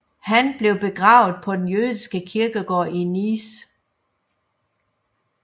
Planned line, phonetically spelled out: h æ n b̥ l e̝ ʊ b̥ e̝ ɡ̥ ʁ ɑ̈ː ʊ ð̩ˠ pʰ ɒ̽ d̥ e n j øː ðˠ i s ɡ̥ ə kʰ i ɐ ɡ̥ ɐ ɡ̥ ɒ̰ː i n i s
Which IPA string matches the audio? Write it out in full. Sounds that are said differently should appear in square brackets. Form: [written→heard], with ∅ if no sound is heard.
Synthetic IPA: h æ n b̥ l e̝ ʊ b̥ e̝ ɡ̥ ʁ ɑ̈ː ʊ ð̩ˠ pʰ ɒ̽ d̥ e n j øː ðˠ i s ɡ̥ ə kʰ i ɐ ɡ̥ [ɐ→ə] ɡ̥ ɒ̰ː i n i s